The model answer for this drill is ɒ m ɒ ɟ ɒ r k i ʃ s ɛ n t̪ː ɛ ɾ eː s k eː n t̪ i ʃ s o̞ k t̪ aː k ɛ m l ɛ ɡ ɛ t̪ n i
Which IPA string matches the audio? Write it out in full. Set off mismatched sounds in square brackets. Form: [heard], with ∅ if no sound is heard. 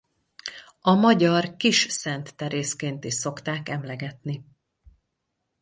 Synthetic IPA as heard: ɒ m ɒ ɟ ɒ r k i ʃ s ɛ n t̪ː ɛ ɾ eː s k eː n t̪ i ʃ s o̞ k t̪ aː k ɛ m l ɛ ɡ ɛ t̪ n i